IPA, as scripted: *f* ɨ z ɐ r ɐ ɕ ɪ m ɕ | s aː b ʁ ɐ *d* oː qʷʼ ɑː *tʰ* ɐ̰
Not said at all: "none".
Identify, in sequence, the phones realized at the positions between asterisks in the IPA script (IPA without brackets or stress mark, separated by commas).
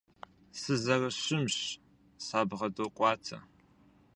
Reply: s, d, tʰ